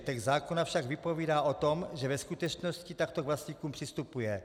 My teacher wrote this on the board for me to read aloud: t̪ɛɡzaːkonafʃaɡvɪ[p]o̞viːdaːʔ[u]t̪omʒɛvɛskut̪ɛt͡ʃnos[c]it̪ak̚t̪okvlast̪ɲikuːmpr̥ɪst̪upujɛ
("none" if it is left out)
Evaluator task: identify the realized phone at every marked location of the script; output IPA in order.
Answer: p, o, c

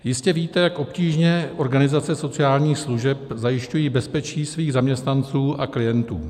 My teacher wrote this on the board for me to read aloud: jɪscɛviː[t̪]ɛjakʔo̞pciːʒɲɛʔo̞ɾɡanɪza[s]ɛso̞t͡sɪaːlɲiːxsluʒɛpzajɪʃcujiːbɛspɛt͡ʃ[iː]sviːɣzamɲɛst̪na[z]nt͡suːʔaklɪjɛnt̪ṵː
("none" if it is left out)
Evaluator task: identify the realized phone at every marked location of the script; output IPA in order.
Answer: t̪, t͡s, iː, none

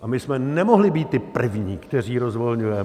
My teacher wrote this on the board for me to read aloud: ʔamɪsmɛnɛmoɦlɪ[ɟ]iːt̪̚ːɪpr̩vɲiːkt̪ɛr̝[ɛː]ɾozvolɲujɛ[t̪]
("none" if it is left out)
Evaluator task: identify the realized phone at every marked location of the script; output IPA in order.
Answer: b, iː, none

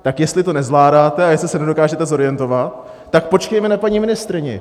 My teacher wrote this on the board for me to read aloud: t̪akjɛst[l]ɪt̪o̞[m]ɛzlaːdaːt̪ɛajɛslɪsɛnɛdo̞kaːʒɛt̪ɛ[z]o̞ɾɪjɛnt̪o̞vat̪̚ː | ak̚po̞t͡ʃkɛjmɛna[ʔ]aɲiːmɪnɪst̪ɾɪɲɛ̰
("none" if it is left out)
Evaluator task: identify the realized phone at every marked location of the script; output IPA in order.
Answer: l, n, z, p

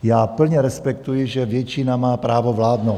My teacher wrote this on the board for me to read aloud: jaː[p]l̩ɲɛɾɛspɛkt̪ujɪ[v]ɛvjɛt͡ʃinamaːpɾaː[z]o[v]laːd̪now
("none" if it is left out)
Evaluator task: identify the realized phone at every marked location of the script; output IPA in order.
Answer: p, ʒ, v, v

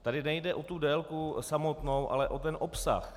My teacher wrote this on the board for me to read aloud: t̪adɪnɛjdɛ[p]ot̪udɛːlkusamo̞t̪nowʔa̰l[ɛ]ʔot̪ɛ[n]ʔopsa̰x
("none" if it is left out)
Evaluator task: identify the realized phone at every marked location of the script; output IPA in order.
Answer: ʔ, ɛ, n

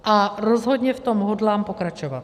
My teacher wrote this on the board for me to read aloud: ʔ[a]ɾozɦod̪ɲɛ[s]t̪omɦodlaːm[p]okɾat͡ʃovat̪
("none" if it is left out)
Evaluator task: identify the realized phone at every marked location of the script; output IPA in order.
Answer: a, f, p

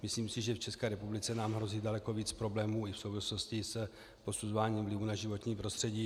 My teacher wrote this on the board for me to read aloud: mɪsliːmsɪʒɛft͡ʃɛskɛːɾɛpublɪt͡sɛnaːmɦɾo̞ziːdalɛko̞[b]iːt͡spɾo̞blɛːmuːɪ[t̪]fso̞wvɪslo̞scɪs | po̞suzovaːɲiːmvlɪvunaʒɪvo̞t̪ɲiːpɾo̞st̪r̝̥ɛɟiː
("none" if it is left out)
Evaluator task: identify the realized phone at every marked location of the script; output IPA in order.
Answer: v, none

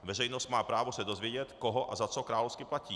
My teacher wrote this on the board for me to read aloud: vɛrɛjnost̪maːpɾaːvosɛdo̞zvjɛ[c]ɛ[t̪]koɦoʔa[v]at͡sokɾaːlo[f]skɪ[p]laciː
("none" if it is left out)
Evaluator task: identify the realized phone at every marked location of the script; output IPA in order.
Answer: ɟ, t̪, z, f, p

